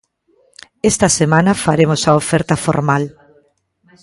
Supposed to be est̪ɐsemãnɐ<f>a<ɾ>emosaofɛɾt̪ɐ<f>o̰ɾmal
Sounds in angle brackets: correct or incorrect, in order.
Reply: correct, correct, correct

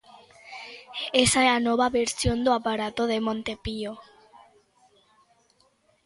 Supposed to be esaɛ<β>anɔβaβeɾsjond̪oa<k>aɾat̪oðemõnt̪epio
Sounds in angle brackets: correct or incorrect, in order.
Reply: incorrect, incorrect

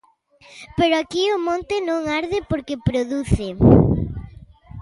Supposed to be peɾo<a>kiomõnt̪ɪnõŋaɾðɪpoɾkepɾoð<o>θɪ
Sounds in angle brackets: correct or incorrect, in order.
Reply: correct, incorrect

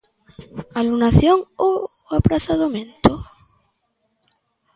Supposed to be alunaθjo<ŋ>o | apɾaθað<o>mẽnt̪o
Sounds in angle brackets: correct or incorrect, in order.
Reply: correct, correct

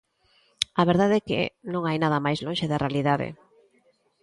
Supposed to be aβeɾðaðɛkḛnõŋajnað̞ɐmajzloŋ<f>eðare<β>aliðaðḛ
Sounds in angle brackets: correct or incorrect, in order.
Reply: incorrect, incorrect

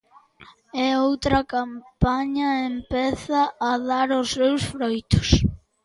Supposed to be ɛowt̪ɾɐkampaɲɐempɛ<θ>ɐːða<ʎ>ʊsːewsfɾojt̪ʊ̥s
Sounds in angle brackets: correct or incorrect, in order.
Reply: correct, incorrect

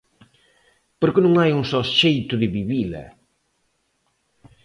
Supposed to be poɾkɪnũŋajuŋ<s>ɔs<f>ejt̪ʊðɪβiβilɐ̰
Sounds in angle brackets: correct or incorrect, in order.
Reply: correct, incorrect

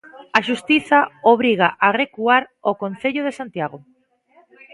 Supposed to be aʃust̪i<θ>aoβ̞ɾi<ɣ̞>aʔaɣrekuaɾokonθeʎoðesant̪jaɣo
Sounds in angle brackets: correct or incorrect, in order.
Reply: correct, correct

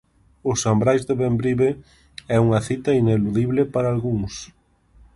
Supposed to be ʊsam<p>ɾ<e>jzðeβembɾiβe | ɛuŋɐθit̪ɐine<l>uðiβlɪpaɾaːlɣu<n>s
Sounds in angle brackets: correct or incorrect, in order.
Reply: incorrect, incorrect, correct, incorrect

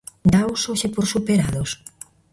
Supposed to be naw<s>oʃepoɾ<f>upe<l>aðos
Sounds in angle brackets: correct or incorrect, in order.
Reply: correct, incorrect, incorrect

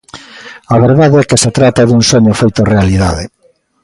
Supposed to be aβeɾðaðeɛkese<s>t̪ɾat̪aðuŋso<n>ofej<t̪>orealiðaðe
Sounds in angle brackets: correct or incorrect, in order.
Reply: incorrect, incorrect, correct

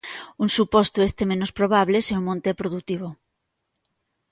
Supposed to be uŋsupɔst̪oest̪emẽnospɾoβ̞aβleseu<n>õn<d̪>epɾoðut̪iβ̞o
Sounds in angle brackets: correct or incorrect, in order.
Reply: incorrect, incorrect

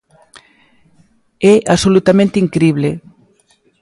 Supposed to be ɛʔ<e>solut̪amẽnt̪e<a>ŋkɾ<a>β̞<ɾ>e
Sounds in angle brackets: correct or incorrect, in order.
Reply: incorrect, incorrect, incorrect, incorrect

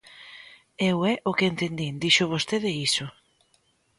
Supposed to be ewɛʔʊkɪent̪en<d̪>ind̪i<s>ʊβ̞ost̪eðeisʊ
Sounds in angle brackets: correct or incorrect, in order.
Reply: correct, incorrect

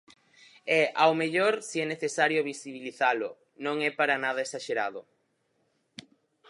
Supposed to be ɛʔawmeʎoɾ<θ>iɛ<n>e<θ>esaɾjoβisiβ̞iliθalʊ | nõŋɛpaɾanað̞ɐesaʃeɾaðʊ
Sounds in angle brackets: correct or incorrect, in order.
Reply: incorrect, correct, correct

